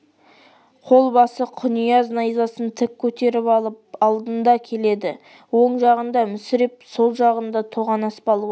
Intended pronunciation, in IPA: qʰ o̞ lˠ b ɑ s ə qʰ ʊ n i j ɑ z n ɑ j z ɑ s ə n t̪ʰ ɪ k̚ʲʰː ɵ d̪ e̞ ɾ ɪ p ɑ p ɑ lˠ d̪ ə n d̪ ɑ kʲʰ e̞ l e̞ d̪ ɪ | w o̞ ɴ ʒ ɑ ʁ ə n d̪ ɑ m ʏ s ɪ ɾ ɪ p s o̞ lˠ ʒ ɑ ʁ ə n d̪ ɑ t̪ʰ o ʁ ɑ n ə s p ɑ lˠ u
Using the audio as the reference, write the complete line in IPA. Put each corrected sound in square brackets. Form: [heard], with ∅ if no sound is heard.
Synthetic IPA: qʰ o̞ lˠ b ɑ s ə qʰ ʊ n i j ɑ z n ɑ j z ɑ s ə n t̪ʰ ɪ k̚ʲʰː ɵ [t̪] e̞ ɾ ɪ p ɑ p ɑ lˠ d̪ ə n d̪ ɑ kʲʰ e̞ l e̞ d̪ ɪ | w o̞ ɴ ʒ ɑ ʁ ə n d̪ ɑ m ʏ s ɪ ɾ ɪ p s o̞ lˠ ʒ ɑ ʁ ə n d̪ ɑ t̪ʰ o ʁ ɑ n [ɑ] s p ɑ lˠ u

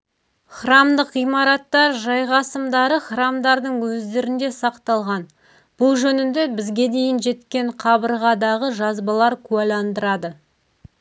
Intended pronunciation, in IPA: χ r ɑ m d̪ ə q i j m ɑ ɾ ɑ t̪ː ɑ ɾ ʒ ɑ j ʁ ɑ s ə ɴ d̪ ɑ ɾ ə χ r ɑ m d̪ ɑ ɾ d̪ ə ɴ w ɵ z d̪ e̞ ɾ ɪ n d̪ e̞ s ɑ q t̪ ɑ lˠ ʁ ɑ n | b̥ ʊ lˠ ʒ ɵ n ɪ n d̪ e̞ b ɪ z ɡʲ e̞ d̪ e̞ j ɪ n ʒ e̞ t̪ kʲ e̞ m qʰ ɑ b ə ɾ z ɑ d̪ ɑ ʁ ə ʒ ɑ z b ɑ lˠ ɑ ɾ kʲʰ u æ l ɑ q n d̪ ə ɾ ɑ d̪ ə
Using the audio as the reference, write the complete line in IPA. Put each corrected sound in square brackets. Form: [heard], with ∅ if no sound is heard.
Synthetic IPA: χ r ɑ m d̪ ə q i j m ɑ ɾ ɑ t̪ː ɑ ɾ ʒ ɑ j ʁ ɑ s ə [m] d̪ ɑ ɾ ə χ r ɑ m d̪ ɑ ɾ d̪ ə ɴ w ɵ z d̪ e̞ ɾ ɪ n d̪ e̞ s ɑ q t̪ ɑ lˠ ʁ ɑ n | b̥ ʊ lˠ ʒ ɵ n ɪ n d̪ e̞ b ɪ z ɡʲ e̞ d̪ e̞ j ɪ n ʒ e̞ t̪ kʲ e̞ [ɴ] qʰ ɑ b ə ɾ [ʁ] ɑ d̪ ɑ ʁ ə ʒ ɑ z b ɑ lˠ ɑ ɾ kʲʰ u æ l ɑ [∅] n d̪ ə ɾ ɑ d̪ ə

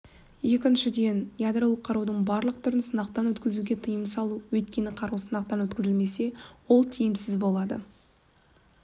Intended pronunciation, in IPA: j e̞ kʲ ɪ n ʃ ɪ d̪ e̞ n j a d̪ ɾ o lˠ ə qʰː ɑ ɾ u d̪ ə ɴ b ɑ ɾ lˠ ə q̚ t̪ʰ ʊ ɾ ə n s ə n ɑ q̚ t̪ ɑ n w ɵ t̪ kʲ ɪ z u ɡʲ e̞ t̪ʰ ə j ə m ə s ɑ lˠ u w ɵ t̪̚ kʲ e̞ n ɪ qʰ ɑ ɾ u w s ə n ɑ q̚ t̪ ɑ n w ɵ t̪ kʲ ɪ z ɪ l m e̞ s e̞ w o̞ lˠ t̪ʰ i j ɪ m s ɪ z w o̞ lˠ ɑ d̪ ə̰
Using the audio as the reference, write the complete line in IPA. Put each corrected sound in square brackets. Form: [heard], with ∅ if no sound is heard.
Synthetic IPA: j e̞ kʲ ɪ n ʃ ɪ d̪ e̞ n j a d̪ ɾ o lˠ ə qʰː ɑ ɾ u d̪ ə ɴ b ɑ ɾ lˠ ə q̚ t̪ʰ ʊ ɾ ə n s ə n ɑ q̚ t̪ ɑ n w ɵ t̪ kʲ ɪ z u ɡʲ e̞ t̪ʰ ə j ə m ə s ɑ lˠ u w ɵ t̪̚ kʲ e̞ n ɪ qʰ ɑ ɾ u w s ə n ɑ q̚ t̪ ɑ n w ɵ t̪ kʲ ɪ z ɪ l m e̞ s e̞ w o̞ lˠ t̪ʰ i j ɪ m s ɪ z [b] o̞ lˠ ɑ d̪ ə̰

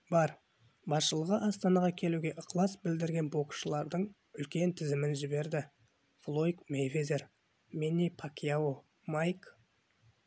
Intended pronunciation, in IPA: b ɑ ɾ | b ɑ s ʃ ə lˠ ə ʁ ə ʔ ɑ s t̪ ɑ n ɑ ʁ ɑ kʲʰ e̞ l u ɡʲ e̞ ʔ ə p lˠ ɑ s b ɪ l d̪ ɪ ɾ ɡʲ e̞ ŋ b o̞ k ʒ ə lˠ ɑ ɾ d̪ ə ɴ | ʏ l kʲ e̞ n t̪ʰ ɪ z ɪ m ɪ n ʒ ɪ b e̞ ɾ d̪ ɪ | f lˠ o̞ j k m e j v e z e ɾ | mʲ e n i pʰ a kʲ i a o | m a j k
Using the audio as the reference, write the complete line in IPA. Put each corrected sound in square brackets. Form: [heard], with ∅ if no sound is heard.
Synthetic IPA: b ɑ ɾ | b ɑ s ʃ ə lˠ ə ʁ ə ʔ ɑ s t̪ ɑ n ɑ ʁ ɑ kʲʰ e̞ l u ɡʲ e̞ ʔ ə [q] lˠ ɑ s b ɪ l d̪ ɪ ɾ ɡʲ e̞ [n] b o̞ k [ʃ] ə lˠ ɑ ɾ d̪ ə ɴ | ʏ l kʲ e̞ n t̪ʰ ɪ z ɪ m ɪ n ʒ ɪ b e̞ ɾ d̪ ɪ | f lˠ o̞ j k m e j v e z e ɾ | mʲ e n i pʰ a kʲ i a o | m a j k

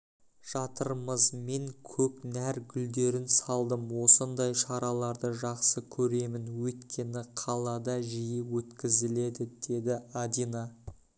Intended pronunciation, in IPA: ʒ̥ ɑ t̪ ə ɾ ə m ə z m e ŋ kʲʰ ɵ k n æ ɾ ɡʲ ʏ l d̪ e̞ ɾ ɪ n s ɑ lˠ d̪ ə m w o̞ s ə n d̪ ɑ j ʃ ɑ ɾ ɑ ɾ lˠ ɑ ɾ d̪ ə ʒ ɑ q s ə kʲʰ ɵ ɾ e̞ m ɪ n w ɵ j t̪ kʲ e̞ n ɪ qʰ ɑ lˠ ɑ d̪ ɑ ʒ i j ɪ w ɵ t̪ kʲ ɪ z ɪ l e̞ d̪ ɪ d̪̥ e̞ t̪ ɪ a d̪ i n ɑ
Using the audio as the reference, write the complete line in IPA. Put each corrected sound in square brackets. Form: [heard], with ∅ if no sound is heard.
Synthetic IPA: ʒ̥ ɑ t̪ ə ɾ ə m ə z m e ŋ kʲʰ ɵ k n æ ɾ ɡʲ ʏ l d̪ e̞ ɾ ɪ n s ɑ lˠ d̪ ə m w o̞ s ə n d̪ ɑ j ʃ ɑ ɾ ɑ [∅] lˠ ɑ ɾ d̪ ə ʒ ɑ q s ə kʲʰ ɵ ɾ e̞ m ɪ n w ɵ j t̪ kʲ e̞ n ɪ qʰ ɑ lˠ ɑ d̪ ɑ ʒ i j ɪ w ɵ t̪ kʲ ɪ z ɪ l e̞ d̪ ɪ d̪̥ e̞ [d̪] ɪ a d̪ i n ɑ

